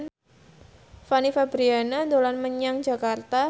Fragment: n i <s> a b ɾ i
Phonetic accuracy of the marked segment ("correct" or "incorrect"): incorrect